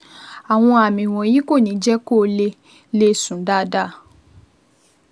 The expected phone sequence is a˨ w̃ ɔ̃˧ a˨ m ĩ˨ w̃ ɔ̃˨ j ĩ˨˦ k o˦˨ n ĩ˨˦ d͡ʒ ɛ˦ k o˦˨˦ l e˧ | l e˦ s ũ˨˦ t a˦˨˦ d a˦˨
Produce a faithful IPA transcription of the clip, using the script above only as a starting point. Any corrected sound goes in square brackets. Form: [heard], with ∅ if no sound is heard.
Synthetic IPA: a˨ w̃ ɔ̃˧ a˨ m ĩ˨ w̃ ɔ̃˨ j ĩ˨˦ k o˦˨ n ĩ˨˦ d͡ʒ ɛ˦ k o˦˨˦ l e˧ | l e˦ s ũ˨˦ [d] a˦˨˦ d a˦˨